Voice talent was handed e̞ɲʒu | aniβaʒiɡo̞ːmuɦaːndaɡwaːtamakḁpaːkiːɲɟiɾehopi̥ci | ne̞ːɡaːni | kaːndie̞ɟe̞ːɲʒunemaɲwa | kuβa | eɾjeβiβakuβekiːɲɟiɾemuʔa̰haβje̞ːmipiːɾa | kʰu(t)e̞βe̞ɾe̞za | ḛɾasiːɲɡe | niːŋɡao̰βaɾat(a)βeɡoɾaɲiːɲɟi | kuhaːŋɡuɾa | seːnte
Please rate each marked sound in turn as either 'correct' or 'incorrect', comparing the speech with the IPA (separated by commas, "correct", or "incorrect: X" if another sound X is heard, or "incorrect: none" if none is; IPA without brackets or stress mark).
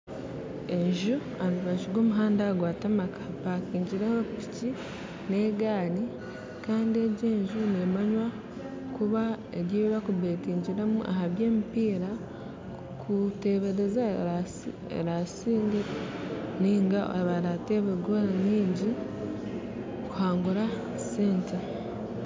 correct, incorrect: e